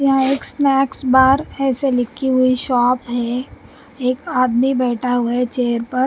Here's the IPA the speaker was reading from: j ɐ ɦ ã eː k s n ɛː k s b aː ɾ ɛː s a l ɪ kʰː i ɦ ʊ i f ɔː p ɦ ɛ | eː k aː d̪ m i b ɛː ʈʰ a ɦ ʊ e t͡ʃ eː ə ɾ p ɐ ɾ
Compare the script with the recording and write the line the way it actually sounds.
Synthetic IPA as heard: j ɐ ɦ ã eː k s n ɛː k s b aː ɾ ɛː s e l ɪ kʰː i ɦ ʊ i ʃ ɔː p ɦ ɛ | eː k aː d̪ m i b ɛː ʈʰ a ɦ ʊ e t͡ʃ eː ə ɾ p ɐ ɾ